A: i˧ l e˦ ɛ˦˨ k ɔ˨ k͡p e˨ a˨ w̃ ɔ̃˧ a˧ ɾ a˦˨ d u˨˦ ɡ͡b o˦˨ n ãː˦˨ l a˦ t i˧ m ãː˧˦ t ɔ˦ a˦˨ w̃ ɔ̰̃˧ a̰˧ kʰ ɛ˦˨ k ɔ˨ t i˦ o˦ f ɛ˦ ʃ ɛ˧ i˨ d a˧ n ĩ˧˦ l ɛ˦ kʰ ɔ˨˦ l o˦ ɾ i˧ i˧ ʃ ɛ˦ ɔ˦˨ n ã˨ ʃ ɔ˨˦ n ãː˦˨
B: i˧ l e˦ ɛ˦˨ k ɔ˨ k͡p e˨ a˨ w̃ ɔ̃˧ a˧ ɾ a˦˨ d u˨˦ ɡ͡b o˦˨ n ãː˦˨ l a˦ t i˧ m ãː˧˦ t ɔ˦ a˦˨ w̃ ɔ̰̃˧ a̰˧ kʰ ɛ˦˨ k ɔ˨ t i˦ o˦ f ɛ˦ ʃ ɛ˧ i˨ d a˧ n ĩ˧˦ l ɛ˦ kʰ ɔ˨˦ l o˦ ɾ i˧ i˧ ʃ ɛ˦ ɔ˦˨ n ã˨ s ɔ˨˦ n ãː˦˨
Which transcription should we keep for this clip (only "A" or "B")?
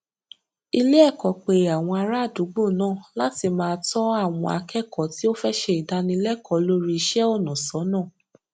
B